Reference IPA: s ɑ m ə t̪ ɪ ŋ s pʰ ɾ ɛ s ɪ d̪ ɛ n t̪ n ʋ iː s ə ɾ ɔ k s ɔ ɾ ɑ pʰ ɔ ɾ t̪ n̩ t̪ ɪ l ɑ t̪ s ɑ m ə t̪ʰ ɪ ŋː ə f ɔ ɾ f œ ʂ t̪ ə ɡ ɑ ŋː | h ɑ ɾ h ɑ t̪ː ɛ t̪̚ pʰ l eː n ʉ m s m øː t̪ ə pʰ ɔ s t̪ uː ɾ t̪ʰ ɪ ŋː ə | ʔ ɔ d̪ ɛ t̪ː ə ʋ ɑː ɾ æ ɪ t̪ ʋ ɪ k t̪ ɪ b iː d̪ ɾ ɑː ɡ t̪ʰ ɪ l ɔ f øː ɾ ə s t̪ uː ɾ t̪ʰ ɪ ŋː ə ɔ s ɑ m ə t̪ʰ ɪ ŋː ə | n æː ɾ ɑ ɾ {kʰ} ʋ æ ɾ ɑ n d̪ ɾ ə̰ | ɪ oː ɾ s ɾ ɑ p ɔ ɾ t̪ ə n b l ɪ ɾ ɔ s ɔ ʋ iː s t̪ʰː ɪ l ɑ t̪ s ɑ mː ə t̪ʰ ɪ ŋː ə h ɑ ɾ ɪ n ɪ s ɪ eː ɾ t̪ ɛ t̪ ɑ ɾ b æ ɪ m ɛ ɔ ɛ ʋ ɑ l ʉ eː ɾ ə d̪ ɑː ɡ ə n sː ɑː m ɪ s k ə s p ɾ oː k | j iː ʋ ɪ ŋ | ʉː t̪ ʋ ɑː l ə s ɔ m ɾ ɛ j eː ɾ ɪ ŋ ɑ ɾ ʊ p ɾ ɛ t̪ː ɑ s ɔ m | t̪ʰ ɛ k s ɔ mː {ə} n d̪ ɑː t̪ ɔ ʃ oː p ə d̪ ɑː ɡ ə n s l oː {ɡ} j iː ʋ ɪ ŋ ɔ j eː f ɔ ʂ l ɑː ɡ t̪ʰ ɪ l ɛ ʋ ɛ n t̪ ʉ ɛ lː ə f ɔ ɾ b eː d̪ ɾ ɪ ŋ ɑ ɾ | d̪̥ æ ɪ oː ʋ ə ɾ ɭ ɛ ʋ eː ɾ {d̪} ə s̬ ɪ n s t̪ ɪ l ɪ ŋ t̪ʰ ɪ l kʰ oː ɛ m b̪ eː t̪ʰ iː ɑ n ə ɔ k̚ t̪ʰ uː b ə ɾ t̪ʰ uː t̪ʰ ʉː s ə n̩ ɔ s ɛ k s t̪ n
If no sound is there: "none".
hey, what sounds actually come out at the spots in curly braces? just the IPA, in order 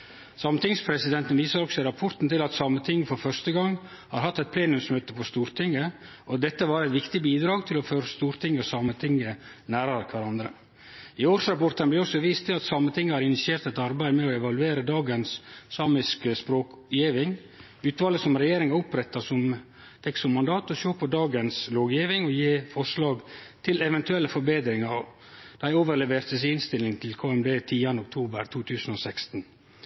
kʰ, ɑ, ɡ, t̪

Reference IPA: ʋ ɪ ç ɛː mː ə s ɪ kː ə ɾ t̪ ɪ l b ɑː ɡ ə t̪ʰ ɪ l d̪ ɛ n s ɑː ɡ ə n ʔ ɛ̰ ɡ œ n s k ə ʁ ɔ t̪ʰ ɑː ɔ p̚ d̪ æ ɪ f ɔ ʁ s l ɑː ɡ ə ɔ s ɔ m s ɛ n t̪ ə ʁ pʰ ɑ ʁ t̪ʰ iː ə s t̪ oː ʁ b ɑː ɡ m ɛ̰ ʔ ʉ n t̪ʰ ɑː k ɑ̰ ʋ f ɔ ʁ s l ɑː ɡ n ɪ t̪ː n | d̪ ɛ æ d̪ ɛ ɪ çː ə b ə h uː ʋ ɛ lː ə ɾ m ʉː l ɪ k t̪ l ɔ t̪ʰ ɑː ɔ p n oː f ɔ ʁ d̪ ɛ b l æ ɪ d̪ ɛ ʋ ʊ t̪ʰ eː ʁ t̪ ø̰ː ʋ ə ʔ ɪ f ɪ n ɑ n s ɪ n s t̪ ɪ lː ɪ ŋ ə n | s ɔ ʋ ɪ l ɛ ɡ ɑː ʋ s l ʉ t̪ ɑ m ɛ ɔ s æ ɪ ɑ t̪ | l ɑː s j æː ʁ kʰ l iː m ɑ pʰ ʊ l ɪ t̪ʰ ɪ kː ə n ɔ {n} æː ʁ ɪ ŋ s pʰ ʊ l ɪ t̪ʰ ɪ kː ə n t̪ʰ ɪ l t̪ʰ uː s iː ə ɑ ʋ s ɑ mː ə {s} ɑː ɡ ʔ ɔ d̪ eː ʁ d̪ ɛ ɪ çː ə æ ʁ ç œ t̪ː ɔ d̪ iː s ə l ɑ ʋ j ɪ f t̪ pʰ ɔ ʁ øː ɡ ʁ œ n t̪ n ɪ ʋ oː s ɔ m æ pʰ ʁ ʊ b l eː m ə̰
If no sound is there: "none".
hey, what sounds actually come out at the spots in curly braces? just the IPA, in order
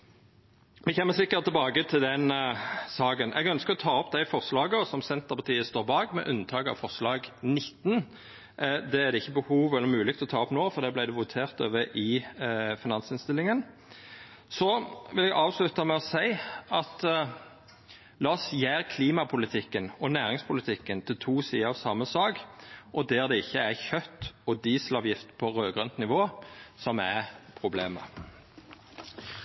n, s

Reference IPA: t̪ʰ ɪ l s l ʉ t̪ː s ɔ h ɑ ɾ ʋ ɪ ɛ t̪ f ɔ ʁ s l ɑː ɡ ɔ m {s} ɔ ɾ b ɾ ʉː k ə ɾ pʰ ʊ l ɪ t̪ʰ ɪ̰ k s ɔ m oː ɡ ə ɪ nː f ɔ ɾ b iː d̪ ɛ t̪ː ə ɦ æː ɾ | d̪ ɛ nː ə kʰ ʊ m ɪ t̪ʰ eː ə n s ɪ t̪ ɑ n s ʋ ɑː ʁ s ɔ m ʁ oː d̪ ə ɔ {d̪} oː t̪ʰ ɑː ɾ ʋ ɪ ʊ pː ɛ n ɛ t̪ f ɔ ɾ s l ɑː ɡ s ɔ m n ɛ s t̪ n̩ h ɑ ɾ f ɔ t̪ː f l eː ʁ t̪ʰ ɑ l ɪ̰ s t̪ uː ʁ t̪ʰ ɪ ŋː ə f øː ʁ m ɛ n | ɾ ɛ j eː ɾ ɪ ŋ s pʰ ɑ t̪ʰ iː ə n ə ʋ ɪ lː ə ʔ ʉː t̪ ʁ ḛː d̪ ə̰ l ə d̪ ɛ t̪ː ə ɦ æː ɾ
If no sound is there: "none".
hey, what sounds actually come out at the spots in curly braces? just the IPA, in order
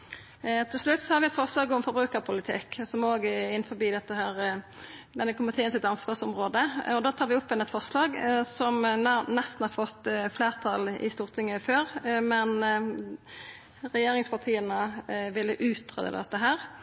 f, d̪

